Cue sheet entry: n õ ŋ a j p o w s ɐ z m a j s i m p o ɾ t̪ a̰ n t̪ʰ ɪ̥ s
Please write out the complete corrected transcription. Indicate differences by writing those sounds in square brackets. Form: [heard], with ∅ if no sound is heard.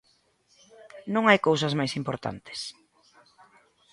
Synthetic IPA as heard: n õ ŋ a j [k] o w s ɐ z m a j s i m p o ɾ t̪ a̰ n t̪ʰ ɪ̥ s